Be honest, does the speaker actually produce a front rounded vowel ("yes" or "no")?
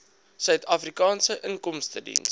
yes